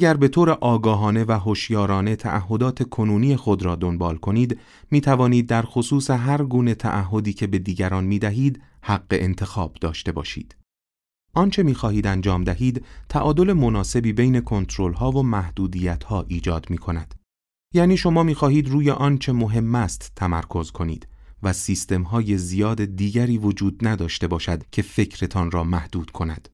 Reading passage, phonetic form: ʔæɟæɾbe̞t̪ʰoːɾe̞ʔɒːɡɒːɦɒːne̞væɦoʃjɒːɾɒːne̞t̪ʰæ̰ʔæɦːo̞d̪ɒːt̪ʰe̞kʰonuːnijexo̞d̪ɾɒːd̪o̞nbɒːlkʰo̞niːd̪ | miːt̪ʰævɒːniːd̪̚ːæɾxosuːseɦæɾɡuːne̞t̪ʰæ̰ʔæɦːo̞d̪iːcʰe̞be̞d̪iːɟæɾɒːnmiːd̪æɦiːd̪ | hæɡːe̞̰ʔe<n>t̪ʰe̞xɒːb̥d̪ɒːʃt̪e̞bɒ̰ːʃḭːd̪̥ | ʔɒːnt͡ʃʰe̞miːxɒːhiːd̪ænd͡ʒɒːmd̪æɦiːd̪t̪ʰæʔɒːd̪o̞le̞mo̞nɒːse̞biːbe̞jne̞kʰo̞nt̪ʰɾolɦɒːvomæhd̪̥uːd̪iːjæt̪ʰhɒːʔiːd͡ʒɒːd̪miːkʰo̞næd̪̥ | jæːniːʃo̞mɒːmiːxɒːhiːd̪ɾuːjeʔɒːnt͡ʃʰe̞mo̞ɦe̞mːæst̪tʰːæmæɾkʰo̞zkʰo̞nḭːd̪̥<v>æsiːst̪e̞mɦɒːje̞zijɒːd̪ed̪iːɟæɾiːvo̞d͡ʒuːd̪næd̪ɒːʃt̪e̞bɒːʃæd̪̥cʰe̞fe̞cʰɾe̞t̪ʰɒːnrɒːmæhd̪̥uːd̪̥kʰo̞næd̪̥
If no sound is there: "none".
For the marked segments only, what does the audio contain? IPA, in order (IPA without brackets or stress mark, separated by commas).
n, v